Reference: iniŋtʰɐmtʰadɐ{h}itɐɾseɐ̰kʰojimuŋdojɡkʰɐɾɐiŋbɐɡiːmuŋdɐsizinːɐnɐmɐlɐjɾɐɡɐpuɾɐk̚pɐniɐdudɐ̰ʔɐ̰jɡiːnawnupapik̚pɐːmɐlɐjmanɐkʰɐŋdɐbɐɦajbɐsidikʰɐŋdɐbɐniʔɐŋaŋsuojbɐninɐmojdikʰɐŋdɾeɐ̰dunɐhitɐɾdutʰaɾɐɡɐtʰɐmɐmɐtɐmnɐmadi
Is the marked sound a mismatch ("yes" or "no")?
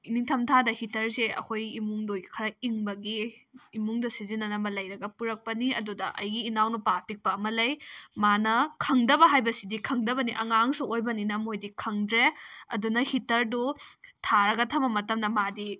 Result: no